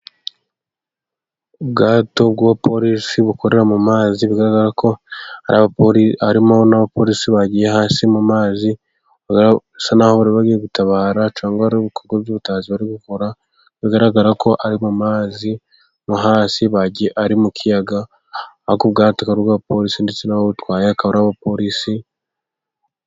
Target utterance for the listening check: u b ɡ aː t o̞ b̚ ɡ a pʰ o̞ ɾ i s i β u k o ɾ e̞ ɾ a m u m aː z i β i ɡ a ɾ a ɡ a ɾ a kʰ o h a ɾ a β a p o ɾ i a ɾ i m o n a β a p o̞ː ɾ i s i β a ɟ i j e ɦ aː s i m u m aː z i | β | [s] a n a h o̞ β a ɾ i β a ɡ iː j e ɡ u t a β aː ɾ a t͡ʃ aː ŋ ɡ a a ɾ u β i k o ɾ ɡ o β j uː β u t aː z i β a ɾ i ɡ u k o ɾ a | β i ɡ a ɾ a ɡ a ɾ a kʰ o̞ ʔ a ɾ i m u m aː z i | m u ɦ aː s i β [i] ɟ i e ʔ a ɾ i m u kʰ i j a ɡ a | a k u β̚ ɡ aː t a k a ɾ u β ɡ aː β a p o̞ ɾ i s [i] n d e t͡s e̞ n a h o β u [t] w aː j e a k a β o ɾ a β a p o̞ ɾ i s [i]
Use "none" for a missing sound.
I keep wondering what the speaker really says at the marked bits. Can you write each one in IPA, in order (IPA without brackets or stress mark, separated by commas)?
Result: s, a, i, t, i